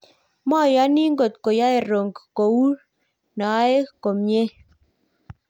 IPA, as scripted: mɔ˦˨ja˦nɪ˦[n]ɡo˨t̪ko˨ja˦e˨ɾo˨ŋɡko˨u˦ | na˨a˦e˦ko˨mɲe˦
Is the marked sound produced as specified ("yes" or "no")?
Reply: no